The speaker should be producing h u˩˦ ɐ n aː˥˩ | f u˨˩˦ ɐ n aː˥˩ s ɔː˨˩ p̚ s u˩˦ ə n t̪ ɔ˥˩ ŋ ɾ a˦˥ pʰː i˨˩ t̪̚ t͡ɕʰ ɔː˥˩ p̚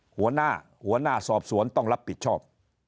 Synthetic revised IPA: h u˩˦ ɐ n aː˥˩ | h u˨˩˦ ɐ n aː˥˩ s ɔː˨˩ p̚ s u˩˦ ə n t̪ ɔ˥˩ ŋ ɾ a˦˥ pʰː i˨˩ t̪̚ t͡ɕʰ ɔː˥˩ p̚